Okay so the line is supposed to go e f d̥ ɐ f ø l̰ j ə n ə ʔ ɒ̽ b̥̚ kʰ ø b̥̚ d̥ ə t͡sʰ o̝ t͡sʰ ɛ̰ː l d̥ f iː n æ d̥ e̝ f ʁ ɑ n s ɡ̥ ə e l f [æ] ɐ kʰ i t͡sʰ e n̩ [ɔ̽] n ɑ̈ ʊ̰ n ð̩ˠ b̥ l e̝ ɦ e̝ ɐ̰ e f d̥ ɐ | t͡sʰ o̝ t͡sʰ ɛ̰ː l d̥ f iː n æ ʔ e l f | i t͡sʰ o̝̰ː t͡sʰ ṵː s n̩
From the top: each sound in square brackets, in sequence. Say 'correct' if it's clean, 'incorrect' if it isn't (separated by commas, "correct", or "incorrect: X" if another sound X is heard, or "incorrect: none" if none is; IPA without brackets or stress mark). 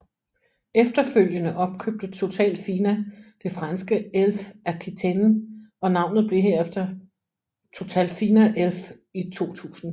correct, incorrect: ɒ̽